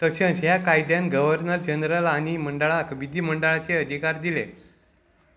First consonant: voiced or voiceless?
voiceless